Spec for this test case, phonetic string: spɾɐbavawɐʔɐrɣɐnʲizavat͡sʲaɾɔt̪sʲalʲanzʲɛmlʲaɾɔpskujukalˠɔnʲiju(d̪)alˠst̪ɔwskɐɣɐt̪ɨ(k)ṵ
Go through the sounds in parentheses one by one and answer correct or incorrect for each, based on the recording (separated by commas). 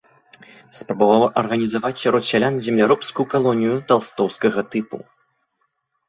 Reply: incorrect, incorrect